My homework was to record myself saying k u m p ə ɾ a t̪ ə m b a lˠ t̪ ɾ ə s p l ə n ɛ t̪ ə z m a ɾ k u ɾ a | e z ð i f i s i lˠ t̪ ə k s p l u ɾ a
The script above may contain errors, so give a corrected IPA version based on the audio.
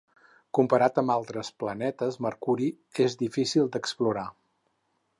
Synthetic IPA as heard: k u m p ə ɾ a t̪ ə m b a lˠ t̪ ɾ ə s p l ə n ɛ t̪ ə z m ə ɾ k u ɾ i | e z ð i f i s i lˠ d̪ ə k s p l u ɾ a